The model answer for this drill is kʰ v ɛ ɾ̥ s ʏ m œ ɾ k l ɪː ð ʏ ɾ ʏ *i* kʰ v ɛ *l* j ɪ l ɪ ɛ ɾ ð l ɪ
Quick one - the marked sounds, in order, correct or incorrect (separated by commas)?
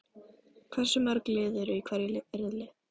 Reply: correct, incorrect